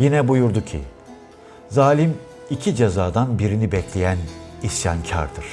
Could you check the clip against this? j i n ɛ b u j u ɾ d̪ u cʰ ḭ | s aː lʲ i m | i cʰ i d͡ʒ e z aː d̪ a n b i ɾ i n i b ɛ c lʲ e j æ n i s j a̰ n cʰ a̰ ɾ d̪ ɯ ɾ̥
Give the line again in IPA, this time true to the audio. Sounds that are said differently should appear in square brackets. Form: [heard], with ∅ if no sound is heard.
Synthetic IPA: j i n ɛ b u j u ɾ d̪ u cʰ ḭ | [z] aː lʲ i m | i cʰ i d͡ʒ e z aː d̪ a n b i ɾ i n i b ɛ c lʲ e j æ n i s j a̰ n cʰ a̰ ɾ d̪ ɯ ɾ̥